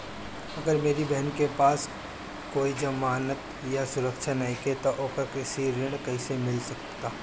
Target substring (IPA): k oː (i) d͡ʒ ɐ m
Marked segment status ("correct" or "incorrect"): correct